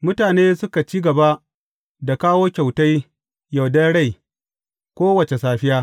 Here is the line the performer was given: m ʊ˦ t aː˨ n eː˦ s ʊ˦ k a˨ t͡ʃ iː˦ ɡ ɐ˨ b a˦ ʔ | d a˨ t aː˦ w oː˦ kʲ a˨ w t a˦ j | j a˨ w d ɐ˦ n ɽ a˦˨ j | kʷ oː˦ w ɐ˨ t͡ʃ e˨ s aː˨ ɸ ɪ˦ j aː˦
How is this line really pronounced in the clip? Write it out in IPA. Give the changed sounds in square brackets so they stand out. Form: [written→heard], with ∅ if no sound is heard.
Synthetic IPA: m ʊ˦ t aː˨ n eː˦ s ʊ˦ k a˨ t͡ʃ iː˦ ɡ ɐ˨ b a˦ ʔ | d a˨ [t→k] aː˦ w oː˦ kʲ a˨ w t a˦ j | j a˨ w d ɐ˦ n ɽ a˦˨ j | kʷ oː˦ w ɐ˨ t͡ʃ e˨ s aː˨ ɸ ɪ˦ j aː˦